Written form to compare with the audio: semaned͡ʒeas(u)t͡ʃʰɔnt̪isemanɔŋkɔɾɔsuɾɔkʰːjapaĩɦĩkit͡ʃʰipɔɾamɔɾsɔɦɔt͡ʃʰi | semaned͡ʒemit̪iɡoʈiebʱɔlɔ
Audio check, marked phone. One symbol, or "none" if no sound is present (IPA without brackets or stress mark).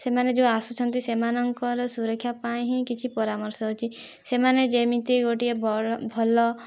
u